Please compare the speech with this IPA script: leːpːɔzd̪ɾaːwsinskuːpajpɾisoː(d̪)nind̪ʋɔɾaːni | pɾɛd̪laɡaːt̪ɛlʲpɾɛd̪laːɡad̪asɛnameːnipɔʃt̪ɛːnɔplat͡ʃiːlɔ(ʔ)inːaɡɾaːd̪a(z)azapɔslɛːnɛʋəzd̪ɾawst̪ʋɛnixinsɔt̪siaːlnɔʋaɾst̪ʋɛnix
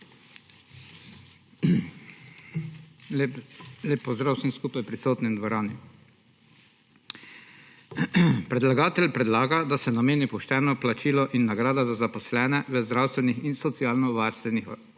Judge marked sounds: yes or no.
no, yes, yes

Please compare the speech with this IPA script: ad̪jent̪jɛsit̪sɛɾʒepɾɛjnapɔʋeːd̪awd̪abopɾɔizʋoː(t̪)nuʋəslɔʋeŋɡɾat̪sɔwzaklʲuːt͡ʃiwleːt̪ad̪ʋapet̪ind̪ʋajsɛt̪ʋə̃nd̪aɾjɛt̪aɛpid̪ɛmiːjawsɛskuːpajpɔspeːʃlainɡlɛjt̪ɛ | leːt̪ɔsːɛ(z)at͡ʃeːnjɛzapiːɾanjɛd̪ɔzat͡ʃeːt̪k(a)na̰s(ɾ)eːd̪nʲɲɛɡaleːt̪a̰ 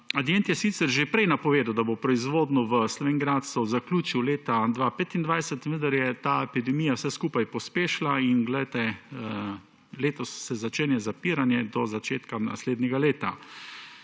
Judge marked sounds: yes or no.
no, yes, yes, no

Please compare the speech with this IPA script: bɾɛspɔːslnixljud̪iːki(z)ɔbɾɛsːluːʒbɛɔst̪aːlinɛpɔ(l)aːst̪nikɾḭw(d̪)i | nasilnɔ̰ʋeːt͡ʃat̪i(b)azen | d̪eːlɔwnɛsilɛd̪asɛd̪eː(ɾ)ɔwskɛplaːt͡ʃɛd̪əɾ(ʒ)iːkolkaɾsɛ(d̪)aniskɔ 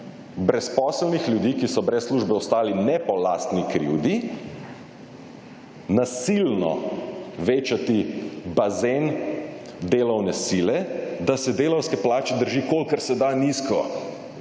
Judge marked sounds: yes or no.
no, yes, yes, yes, no, yes, yes

